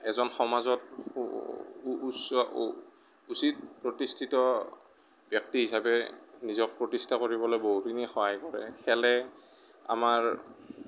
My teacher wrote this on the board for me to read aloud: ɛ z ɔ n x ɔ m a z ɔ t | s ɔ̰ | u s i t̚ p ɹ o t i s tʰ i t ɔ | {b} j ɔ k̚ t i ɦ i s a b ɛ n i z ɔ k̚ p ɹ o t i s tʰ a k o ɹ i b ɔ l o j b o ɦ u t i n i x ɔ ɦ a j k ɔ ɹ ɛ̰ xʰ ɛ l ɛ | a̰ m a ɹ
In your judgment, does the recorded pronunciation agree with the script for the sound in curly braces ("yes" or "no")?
yes